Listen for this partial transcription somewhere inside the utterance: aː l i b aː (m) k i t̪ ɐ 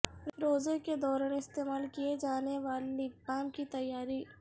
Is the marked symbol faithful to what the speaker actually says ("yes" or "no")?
yes